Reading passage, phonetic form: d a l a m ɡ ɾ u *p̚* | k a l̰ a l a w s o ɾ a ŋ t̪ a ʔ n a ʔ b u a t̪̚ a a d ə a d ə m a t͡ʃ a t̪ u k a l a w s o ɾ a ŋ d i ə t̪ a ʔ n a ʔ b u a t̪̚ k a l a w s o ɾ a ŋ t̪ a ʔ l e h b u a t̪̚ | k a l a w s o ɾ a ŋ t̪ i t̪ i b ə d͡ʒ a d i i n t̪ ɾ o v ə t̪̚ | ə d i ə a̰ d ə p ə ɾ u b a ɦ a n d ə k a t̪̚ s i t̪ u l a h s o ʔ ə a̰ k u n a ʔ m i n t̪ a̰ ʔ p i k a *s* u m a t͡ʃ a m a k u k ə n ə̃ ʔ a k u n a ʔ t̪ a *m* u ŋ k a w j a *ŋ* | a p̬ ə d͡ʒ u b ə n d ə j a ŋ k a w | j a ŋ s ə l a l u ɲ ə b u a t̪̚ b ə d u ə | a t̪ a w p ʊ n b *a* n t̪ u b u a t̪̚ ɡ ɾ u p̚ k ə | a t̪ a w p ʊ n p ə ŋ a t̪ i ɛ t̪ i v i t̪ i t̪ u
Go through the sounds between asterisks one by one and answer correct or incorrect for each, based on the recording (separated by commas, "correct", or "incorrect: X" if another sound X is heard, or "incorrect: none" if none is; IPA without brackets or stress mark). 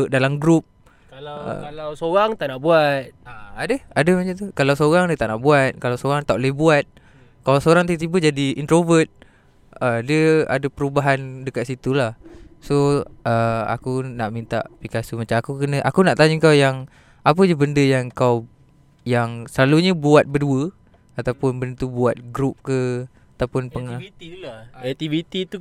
correct, correct, incorrect: ɲ, correct, incorrect: ə